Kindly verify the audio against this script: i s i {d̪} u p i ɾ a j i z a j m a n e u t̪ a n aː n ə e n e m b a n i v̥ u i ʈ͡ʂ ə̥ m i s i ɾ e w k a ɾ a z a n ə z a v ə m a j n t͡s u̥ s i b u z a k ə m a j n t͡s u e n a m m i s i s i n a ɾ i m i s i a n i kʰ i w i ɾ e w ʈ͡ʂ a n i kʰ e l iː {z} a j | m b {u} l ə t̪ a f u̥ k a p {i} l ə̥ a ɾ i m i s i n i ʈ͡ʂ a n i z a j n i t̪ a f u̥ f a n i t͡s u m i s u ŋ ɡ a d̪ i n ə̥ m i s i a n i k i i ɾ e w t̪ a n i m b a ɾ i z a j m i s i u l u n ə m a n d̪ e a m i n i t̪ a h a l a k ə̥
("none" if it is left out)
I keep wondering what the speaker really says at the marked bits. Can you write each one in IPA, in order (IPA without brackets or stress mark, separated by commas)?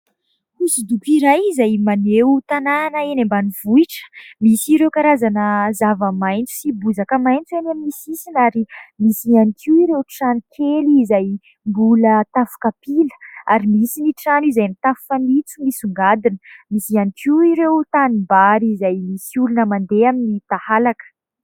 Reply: d̪, z, u, i